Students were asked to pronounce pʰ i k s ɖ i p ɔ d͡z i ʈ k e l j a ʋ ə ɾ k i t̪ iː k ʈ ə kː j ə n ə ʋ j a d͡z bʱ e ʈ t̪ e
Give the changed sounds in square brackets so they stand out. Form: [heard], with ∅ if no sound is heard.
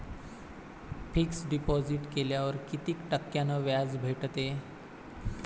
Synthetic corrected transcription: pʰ i k s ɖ i p ɔ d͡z i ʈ k e l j a ʋ ə ɾ k i t̪ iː k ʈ ə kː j [a] n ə ʋ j a d͡z bʱ e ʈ t̪ e